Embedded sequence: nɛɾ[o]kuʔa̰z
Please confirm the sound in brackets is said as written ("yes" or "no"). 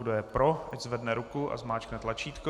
no